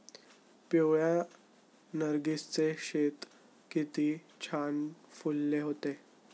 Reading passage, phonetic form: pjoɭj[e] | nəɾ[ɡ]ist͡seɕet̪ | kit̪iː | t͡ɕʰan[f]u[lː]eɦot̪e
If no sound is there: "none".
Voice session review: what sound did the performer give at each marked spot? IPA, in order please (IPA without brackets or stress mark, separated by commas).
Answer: a, ɡ, f, lː